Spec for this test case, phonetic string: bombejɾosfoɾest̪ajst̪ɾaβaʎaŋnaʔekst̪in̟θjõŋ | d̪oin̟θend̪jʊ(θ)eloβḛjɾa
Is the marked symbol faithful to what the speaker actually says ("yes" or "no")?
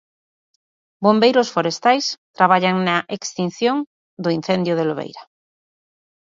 no